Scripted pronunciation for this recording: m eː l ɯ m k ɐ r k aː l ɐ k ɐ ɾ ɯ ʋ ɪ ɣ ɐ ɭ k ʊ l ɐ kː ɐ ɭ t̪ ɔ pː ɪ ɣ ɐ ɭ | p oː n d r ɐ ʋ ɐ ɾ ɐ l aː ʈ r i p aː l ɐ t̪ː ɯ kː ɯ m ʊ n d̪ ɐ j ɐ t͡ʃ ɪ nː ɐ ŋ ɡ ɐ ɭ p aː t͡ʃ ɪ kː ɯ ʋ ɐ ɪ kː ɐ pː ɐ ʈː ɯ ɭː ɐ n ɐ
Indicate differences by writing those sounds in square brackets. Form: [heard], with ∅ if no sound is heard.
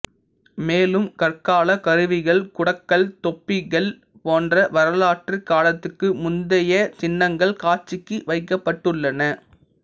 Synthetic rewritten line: m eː l ɯ m k ɐ r k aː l ɐ k ɐ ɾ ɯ ʋ ɪ ɣ ɐ ɭ k ʊ [ɽ] ɐ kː ɐ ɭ t̪ ɔ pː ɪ ɣ ɐ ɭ | p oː n d r ɐ ʋ ɐ ɾ ɐ l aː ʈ r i [k] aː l ɐ t̪ː ɯ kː ɯ m ʊ n d̪ ɐ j ɐ t͡ʃ ɪ nː ɐ ŋ ɡ ɐ ɭ [k] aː t͡ʃ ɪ kː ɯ ʋ ɐ ɪ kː ɐ pː ɐ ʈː ɯ ɭː ɐ n ɐ